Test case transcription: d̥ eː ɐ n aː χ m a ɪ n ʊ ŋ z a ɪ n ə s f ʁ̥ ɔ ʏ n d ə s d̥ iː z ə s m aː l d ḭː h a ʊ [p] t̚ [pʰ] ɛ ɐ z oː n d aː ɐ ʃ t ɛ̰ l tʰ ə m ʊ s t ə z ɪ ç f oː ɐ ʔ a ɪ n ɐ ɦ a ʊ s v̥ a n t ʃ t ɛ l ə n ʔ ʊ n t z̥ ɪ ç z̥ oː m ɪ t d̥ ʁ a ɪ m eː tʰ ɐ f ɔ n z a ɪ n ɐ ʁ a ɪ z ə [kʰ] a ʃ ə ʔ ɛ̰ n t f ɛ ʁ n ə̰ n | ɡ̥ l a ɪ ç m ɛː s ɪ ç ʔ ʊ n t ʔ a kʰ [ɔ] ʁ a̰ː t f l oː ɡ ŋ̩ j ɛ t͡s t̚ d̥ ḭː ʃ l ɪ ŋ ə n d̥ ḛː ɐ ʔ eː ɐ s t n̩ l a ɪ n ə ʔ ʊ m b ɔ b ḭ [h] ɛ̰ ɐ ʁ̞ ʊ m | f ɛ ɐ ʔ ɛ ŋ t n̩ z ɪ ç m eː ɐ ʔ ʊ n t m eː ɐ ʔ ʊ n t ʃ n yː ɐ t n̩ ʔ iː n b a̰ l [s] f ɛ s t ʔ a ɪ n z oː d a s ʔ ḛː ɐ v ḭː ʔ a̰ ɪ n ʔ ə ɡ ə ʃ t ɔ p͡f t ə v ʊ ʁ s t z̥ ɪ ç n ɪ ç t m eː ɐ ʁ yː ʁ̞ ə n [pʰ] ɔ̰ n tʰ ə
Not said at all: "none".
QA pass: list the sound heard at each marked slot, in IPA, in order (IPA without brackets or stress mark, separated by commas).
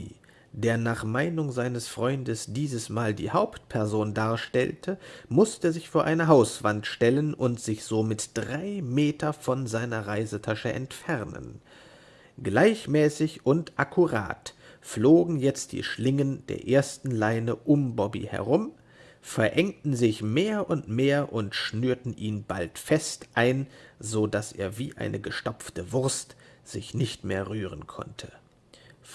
p, pʰ, tʰ, u, h, t, kʰ